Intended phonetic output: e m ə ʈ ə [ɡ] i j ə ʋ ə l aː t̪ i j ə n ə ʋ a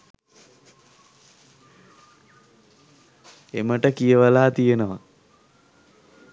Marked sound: incorrect: k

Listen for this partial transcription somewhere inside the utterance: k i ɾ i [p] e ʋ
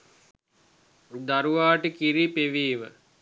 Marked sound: correct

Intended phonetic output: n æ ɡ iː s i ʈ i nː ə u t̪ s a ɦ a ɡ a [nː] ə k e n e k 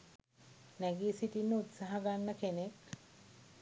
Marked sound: correct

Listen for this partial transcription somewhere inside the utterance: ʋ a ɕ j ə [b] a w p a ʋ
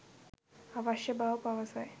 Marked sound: correct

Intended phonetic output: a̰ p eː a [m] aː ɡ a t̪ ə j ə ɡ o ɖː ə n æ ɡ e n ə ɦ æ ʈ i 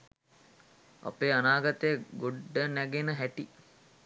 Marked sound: incorrect: n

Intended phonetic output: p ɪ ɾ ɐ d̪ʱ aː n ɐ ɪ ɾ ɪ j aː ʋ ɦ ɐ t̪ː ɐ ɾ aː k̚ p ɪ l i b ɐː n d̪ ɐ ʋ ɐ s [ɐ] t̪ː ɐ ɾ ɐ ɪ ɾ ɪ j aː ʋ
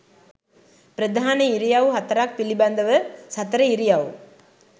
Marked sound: correct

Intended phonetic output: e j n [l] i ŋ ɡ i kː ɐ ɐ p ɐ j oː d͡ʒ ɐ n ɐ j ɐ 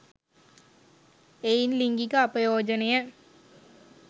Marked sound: correct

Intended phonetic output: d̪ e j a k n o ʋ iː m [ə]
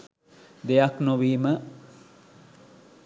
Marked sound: correct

